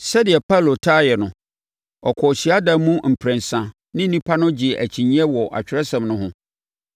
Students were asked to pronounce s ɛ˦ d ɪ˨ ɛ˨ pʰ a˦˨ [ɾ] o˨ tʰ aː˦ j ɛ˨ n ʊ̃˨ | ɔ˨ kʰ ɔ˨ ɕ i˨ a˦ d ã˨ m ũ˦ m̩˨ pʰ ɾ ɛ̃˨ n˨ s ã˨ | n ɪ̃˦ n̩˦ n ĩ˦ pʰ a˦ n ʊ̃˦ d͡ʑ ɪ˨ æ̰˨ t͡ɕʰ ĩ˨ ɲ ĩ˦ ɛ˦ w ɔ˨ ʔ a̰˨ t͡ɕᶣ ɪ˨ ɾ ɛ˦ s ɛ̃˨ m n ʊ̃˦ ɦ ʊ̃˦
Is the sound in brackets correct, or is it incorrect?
incorrect: l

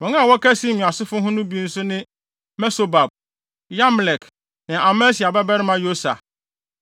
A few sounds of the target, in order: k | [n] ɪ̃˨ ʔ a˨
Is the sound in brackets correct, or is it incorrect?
correct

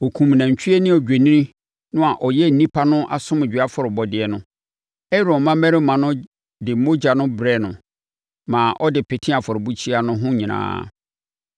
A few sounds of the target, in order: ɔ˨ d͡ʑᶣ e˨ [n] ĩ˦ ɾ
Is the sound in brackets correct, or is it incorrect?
correct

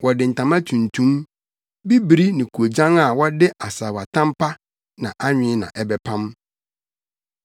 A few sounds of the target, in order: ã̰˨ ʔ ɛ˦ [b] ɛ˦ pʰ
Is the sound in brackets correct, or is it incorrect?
correct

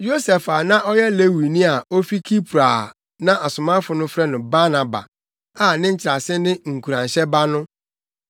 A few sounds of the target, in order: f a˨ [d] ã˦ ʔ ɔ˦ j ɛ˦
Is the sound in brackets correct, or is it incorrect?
incorrect: n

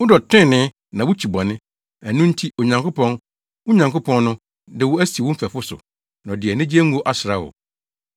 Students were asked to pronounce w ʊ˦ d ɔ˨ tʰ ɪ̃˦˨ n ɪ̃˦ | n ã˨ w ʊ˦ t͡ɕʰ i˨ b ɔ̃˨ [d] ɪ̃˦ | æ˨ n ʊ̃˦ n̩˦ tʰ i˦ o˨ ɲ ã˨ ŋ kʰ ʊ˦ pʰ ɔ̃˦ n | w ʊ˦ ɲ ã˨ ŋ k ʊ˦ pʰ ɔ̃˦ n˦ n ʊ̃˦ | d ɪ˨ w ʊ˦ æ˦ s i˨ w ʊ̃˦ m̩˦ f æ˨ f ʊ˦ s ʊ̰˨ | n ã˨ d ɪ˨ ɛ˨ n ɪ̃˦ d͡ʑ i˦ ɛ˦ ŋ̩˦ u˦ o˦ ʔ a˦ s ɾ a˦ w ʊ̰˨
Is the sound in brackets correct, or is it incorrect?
incorrect: n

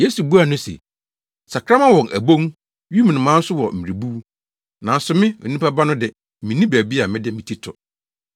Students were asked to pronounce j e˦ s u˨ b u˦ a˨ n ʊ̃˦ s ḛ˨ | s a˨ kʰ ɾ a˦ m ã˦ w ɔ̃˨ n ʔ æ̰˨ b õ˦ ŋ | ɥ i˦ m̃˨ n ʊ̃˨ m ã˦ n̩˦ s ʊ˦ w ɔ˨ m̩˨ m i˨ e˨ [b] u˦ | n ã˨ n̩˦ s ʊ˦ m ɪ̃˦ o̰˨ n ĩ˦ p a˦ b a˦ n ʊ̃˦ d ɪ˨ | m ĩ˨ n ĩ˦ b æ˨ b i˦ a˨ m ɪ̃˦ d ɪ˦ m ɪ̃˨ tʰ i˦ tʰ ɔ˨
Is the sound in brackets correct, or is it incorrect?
correct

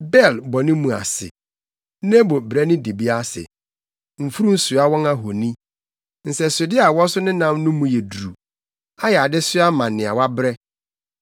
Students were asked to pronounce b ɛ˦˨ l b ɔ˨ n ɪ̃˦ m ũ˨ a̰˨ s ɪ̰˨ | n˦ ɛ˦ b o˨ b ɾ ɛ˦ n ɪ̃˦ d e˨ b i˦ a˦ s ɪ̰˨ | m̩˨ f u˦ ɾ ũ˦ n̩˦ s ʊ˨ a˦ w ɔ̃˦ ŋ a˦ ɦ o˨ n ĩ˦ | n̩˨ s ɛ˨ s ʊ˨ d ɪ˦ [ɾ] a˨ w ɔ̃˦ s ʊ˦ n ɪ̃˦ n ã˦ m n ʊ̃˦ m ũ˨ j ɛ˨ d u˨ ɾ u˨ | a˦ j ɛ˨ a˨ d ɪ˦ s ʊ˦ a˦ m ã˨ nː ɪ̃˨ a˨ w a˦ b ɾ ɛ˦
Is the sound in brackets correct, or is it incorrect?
incorrect: none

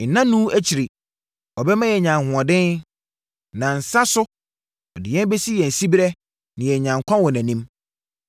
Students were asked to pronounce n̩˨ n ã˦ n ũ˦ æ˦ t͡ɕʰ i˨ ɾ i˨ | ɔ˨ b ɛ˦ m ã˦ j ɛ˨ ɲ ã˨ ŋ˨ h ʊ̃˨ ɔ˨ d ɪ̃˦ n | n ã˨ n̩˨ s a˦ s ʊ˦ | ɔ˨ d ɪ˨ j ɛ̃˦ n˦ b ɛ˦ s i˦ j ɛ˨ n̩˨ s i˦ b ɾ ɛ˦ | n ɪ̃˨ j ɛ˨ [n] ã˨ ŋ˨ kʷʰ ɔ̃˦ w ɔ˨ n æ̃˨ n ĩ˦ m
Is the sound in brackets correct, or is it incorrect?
incorrect: ɲ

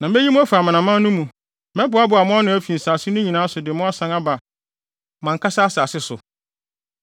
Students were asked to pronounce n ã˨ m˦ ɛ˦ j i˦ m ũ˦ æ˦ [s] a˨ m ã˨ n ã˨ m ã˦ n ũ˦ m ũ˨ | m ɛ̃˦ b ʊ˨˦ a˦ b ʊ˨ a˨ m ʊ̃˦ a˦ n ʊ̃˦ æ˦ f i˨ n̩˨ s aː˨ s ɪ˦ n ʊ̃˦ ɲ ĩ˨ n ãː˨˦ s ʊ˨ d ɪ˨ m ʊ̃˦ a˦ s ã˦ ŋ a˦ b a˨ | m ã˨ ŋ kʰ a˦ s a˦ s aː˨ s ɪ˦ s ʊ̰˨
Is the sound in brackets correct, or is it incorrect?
incorrect: f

